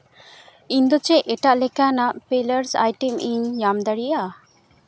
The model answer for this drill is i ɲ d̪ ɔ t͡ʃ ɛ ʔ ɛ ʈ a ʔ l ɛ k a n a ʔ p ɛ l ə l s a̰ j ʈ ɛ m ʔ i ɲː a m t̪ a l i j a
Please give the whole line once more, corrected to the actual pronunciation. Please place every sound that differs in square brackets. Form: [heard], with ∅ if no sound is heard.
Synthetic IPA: i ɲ d̪ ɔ t͡ʃ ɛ ʔ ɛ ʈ a ʔ l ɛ k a n a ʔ p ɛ l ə [ɾ] s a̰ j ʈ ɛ m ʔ i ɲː a m [d̪] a [ɽ] i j a